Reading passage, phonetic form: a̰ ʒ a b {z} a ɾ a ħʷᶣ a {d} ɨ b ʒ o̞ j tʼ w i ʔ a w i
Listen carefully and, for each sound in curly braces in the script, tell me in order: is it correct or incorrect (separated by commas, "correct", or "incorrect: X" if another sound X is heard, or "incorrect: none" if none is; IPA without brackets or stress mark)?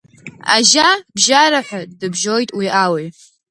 incorrect: ʒ, correct